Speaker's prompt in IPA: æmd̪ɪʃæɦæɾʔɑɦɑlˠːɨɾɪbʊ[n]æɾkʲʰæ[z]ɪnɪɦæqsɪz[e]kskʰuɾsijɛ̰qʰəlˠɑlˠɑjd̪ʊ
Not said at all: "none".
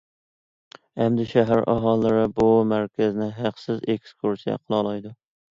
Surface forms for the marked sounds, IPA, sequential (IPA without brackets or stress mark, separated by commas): m, z, e